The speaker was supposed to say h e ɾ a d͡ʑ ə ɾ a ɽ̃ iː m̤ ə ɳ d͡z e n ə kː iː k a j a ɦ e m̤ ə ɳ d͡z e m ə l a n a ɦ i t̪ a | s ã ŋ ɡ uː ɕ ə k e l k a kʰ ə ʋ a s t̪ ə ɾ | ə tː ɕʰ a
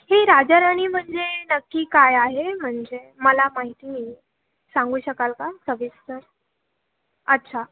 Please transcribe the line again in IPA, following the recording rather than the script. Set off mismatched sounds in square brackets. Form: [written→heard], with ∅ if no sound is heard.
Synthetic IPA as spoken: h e ɾ a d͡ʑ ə ɾ a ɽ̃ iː m̤ ə ɳ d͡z e n ə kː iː k a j a ɦ e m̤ ə ɳ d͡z e m ə l a [n→m] a ɦ i t̪ [a→i] | s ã ŋ ɡ uː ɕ ə k [e→a] l k a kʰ ə ʋ [a→i] s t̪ ə ɾ | ə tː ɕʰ a